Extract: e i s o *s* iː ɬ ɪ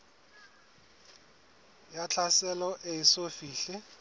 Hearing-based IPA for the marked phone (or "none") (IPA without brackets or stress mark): f